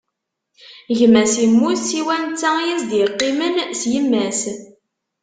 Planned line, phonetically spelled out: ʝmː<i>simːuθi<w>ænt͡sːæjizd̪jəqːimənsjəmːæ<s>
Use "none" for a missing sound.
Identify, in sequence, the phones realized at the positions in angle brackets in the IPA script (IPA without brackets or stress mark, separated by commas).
æ, w, s